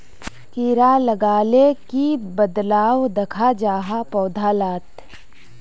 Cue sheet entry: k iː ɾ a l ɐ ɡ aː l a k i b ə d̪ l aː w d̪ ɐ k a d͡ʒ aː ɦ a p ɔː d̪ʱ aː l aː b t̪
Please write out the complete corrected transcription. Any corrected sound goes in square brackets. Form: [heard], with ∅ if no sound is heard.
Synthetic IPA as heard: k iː ɾ a l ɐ ɡ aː l [e] k i b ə d̪ l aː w d̪ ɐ [kʰ] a d͡ʒ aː ɦ a p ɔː d̪ʱ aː l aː [∅] t̪